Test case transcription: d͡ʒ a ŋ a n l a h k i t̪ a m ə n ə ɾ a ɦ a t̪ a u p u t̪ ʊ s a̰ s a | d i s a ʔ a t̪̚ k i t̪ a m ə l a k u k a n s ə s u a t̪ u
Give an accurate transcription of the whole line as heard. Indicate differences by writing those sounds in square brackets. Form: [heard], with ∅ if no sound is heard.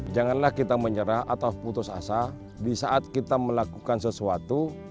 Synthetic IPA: d͡ʒ a ŋ a n l a h k i t̪ a m ə [ɲ] ə ɾ a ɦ a t̪ a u p u t̪ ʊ s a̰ s a | d i s a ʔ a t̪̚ k i t̪ a m ə l a k u k a n s ə s u a t̪ u